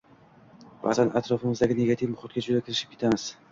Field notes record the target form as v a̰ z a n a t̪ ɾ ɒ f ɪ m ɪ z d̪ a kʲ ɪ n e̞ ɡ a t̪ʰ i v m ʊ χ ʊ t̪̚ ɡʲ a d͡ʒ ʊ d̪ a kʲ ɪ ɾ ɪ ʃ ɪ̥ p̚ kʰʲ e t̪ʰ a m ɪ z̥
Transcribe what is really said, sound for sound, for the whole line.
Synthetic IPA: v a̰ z a n a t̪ ɾ ɒ f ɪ m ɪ z d̪ a ɡʲ ɪ n e̞ ɡ a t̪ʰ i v m ʊ χ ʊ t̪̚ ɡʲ a d͡ʒ ʊ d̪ a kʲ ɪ ɾ ɪ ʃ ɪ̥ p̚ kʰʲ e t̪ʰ a m ɪ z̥

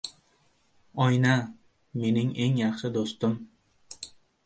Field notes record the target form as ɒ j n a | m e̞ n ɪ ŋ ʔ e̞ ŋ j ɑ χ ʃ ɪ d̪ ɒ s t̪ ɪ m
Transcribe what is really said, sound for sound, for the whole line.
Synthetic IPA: ɒ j n a | m e̞ n ɪ ŋ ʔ e̞ ŋ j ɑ χ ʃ ɪ d̪ o s t̪ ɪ m

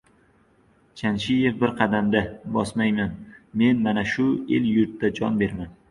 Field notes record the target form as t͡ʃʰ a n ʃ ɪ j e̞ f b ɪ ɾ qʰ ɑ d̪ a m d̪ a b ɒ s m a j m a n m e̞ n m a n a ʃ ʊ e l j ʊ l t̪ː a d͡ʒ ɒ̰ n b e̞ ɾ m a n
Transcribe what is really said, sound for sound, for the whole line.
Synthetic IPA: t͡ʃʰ a n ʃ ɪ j e̞ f b ɪ ɾ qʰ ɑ d̪ a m d̪ a b ɒ s m a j m a n m e̞ n m a n a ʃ ʊ e l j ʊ ɾ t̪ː a d͡ʒ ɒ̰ n b e̞ ɾ m a n

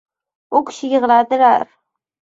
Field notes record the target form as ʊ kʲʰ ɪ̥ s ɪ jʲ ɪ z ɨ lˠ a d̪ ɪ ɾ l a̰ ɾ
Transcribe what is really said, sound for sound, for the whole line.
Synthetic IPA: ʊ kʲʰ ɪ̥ ʃ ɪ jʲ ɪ ʁ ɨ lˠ a d̪ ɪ l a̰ ɾ

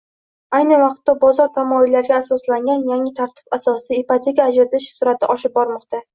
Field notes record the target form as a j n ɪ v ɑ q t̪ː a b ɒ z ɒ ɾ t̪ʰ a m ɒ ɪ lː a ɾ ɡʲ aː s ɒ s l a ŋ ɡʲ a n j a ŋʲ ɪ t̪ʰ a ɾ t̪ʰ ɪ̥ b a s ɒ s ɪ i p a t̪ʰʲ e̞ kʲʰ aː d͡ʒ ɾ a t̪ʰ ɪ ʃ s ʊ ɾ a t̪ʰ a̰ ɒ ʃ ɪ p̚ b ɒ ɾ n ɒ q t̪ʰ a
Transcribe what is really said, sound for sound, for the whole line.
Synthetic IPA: a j n ɪ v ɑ q t̪ː a b ɒ z ɒ ɾ t̪ʰ a m ɒ ɪ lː a ɾ ɡʲ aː s ɒ s l a ŋ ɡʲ a n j a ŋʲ ɪ t̪ʰ a ɾ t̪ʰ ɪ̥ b a s ɒ s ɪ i p a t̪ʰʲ e̞ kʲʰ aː d͡ʒ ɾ a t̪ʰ ɪ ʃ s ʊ ɾ a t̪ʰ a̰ ɒ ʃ ɪ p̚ b ɒ ɾ m ɒ q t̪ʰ a

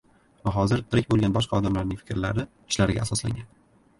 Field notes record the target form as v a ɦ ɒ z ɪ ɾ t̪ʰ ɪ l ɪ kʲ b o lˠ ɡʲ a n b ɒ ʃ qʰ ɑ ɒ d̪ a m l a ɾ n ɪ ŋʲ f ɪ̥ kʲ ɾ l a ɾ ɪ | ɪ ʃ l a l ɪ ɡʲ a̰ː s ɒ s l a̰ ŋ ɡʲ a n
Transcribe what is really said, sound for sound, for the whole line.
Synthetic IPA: v a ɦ ɒ z ɪ ɾ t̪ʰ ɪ ɾ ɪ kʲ b o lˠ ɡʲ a n b ɒ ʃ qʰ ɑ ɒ d̪ a m l a ɾ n ɪ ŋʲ f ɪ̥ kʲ ɾ l a ɾ ɪ | ɪ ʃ l a ɾ ɪ ɡʲ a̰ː s ɒ s l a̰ ŋ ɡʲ a n

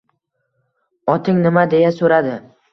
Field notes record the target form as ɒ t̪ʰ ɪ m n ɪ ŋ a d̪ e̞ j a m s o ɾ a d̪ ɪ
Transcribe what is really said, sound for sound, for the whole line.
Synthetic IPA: ɒ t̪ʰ ɪ ŋ n ɪ m a d̪ e̞ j a s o ɾ a d̪ ɪ

